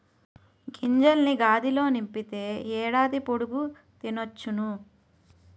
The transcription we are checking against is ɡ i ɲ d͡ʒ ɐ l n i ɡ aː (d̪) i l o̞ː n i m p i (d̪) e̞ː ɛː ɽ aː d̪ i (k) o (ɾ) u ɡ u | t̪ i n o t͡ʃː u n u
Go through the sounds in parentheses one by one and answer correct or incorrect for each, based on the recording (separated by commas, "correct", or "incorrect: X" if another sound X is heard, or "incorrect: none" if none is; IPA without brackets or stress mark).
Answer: correct, incorrect: t̪, incorrect: p, incorrect: ɽ